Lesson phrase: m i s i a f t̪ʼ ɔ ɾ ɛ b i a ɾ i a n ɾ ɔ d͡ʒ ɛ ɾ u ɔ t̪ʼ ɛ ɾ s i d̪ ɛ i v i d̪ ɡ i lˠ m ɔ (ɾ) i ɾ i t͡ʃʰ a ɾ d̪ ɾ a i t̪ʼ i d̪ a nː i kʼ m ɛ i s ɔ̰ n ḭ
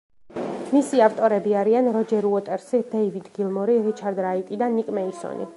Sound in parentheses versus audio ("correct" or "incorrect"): correct